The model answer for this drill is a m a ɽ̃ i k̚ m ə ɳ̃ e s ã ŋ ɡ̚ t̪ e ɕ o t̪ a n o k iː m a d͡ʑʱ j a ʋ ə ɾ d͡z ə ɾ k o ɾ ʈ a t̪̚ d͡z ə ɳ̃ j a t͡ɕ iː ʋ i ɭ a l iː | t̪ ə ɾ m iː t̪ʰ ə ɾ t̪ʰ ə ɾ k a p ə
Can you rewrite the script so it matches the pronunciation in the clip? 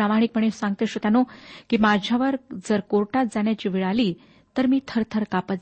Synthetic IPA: a m a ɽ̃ i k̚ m ə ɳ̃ e s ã ŋ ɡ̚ t̪ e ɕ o t̪ a n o k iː m a d͡ʑʱ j a ʋ ə ɾ d͡z ə ɾ k o ɾ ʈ a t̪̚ d͡z a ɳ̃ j a t͡ɕ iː ʋ i ɭ a l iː | t̪ ə ɾ m iː t̪ʰ ə ɾ t̪ʰ ə ɾ k a p ə